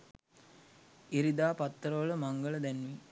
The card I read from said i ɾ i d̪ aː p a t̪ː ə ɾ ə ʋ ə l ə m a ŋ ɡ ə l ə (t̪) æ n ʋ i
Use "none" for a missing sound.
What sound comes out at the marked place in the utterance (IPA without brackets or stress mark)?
d̪